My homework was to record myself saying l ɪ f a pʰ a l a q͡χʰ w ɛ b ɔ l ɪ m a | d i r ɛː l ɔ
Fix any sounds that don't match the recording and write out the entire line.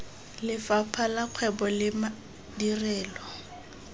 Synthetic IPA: l ɪ f a pʰ a l a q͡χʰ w ɛ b ɔ l ɪ m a | d i r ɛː l ɔ